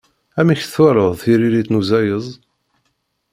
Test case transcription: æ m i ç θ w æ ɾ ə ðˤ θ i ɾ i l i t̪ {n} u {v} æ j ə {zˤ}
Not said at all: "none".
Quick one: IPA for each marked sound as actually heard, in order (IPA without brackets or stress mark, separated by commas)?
n, z, zˤ